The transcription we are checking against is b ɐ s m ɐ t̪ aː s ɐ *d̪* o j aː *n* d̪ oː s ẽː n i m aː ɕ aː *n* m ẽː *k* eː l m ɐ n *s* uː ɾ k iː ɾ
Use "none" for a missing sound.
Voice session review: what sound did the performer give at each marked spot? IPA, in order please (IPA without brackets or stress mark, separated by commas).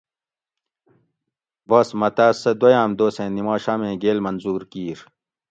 d̪, m, none, ɡ, z